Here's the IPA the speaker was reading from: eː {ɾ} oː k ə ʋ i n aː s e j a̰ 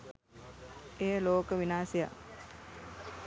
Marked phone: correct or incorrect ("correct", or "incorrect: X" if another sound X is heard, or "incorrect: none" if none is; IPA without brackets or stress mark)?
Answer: incorrect: l